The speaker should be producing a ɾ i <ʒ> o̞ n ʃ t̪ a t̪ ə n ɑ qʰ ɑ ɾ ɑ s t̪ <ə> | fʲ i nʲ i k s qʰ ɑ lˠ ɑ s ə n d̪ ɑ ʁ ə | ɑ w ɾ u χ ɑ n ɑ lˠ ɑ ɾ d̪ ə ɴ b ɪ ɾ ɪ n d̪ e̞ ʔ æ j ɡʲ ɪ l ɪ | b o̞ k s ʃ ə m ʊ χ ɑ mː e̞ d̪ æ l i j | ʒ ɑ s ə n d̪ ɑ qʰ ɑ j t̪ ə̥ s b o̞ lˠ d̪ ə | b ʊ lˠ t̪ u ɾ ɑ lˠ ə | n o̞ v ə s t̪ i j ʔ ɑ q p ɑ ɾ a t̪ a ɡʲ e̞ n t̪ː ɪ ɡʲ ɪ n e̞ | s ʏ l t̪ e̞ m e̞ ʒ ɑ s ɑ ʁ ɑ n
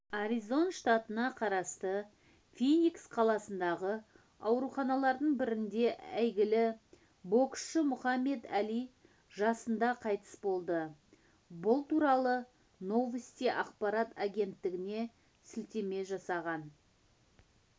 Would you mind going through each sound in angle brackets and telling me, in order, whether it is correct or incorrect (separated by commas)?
incorrect, correct